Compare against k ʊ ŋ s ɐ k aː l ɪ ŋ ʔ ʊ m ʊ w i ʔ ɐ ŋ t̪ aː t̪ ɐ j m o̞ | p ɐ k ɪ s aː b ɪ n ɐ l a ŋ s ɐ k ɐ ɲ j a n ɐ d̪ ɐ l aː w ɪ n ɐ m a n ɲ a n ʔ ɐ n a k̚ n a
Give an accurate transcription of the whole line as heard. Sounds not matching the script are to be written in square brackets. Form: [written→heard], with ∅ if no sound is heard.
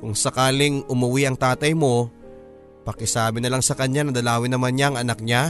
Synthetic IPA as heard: k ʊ ŋ s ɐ k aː l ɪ ŋ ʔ ʊ m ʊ w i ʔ ɐ ŋ t̪ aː t̪ ɐ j m o̞ | p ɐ k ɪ s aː b ɪ n ɐ l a ŋ s ɐ k ɐ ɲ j a n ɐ d̪ ɐ l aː w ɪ n ɐ m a n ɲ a [n→ŋ] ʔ ɐ n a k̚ [n→ɲ] a